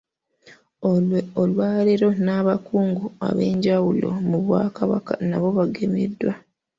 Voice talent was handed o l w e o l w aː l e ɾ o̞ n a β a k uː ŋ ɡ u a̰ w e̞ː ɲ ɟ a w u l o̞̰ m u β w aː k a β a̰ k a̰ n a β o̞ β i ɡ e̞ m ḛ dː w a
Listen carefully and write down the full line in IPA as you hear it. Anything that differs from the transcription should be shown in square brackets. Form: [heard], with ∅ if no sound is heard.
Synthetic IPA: o l w e o l w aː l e ɾ o̞ n a β a k uː ŋ ɡ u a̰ [β] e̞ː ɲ ɟ a w u l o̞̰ m u β w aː k a β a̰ k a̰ n a β o̞ β [a] ɡ e̞ m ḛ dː w a